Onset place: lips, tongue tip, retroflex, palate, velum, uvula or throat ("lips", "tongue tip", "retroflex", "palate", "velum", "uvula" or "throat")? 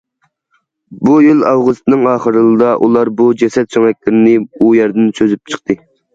lips